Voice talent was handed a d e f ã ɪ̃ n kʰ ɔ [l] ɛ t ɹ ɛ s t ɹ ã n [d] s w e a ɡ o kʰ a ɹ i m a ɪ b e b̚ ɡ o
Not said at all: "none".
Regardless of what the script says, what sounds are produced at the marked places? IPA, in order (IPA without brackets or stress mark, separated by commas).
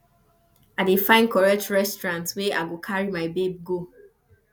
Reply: ɹ, t